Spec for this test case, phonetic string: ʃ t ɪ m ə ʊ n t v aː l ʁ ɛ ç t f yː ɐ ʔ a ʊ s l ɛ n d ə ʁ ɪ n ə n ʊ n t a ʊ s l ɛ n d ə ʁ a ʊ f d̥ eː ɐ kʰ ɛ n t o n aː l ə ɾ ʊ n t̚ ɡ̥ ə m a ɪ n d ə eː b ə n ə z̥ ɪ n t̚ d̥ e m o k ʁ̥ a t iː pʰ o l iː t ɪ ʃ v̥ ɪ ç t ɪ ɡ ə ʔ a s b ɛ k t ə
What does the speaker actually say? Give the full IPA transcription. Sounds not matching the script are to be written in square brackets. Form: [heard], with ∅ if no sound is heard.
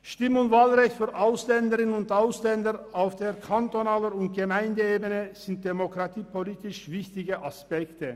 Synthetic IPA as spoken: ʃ t ɪ m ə ʊ n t v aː l ʁ ɛ ç t f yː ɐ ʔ a ʊ s l ɛ n d ə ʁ ɪ n ə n ʊ n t a ʊ s l ɛ n d ə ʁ a ʊ f d̥ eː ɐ kʰ [a] n t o n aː l ə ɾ ʊ n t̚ ɡ̥ ə m a ɪ n d ə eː b ə n ə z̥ ɪ n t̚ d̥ e m o k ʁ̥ a t iː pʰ o l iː t ɪ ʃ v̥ ɪ ç t ɪ ɡ ə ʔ a s [p] ɛ k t ə